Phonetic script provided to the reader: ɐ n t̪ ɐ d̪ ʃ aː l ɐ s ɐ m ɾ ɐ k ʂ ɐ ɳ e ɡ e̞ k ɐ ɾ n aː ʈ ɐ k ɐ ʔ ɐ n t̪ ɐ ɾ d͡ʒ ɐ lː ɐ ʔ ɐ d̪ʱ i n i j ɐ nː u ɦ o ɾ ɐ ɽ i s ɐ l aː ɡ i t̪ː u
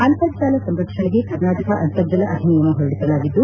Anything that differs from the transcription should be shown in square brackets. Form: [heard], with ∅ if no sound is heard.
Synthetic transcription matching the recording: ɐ n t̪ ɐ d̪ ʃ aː l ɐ s ɐ m ɾ ɐ k ʂ ɐ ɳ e ɡ e̞ k ɐ ɾ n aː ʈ ɐ k ɐ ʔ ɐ n t̪ ɐ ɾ d͡ʒ ɐ [l] ɐ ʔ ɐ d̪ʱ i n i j ɐ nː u ɦ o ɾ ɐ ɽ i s ɐ l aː ɡ i [d̪ː] u